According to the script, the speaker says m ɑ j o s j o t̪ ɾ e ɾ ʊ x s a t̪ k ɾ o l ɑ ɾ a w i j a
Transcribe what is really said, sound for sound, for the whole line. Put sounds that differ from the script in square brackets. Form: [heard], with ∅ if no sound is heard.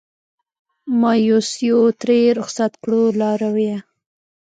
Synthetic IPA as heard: m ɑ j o s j o t̪ ɾ e ɾ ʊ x s a t̪ k [ɽ] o l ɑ ɾ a w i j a